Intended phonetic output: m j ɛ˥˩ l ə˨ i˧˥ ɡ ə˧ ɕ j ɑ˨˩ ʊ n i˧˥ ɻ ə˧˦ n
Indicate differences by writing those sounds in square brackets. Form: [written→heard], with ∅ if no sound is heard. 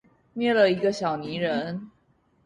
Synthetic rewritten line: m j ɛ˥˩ l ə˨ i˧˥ ɡ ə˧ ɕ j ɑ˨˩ ʊ n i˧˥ ɻ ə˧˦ n